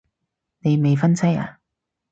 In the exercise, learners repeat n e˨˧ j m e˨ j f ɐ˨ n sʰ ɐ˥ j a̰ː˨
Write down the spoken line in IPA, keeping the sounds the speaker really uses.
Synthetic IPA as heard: n e˨˧ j m e˨ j f ɐ˥ n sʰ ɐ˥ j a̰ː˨